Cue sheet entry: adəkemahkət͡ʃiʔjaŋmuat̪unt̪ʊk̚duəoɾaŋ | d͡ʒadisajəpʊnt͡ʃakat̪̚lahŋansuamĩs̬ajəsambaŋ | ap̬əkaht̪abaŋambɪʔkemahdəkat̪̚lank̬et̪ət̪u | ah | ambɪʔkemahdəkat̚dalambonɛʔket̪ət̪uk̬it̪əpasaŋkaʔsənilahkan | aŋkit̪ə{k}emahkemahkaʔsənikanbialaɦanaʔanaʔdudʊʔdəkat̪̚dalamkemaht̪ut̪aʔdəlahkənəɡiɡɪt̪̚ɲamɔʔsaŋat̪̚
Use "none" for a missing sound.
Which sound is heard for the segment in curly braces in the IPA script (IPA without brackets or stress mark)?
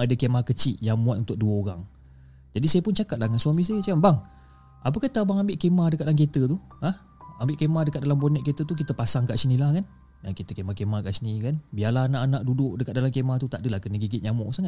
k